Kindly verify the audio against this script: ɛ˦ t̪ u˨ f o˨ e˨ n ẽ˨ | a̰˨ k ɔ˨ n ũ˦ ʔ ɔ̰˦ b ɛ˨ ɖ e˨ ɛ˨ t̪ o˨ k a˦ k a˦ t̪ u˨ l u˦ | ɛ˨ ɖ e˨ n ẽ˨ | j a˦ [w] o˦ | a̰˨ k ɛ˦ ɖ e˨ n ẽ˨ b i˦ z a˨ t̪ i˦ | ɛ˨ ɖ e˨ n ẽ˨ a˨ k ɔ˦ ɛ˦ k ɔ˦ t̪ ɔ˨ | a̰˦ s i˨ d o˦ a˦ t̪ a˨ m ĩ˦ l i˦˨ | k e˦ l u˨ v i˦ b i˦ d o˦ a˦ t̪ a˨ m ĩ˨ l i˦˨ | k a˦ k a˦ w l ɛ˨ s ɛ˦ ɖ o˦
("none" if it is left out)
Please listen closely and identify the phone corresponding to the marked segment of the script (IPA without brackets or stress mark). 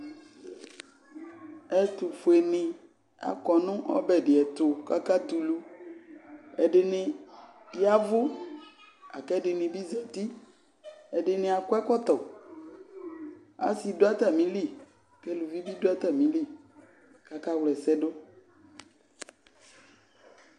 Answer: v